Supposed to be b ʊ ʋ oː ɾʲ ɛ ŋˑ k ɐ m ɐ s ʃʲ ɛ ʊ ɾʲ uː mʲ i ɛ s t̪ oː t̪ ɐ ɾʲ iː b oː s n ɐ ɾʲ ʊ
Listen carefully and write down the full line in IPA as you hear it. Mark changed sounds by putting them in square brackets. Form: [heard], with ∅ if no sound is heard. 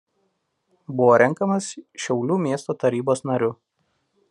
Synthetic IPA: b ʊ ʋ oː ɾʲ ɛ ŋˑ k ɐ m ɐ s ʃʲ ɛ ʊ [lʲ] uː mʲ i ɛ s t̪ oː t̪ ɐ ɾʲ iː b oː s n ɐ ɾʲ ʊ